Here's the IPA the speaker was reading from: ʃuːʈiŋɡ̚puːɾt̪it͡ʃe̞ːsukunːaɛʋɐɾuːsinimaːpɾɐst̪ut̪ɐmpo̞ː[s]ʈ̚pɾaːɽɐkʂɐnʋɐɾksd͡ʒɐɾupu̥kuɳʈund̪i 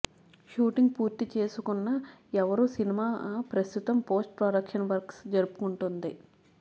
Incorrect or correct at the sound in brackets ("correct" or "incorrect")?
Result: correct